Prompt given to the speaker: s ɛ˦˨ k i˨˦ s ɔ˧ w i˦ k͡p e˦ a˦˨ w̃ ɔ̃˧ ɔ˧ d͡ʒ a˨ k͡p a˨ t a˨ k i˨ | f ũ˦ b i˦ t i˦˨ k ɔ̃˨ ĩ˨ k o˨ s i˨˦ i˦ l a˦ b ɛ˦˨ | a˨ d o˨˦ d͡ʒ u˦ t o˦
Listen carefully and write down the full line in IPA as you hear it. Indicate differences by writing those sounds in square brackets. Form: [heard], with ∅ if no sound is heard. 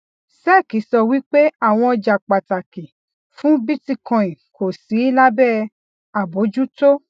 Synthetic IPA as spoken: s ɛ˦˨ k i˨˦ s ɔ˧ w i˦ k͡p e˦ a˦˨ w̃ ɔ̃˧ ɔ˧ d͡ʒ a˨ k͡p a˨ t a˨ k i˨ | f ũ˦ b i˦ t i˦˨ k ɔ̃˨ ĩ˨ k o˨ s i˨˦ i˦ l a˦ b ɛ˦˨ | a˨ [b] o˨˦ d͡ʒ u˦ t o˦